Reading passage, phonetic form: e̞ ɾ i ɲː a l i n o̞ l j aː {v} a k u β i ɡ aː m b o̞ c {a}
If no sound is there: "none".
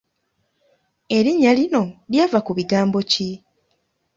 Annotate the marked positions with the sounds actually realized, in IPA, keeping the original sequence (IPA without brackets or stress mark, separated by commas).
v, i